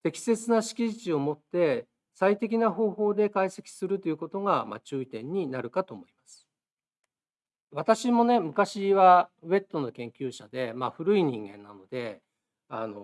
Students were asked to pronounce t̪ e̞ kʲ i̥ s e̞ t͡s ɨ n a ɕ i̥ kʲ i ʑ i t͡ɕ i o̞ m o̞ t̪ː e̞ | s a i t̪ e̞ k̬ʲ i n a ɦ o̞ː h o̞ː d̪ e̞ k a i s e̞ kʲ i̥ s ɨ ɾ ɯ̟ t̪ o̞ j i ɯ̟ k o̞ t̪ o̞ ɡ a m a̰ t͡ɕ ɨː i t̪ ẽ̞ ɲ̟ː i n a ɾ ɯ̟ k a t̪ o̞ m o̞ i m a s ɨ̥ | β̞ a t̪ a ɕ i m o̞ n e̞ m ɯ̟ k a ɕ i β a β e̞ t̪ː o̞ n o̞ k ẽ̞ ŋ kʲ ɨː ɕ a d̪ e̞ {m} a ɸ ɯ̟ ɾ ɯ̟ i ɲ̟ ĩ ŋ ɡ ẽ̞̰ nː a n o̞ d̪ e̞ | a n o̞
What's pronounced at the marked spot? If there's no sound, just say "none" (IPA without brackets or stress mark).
m